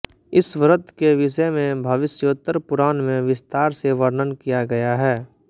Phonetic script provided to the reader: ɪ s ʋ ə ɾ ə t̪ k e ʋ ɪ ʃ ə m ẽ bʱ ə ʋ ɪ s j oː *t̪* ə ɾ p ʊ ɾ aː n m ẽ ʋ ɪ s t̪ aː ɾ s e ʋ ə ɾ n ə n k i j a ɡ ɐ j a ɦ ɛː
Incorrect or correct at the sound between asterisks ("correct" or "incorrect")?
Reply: correct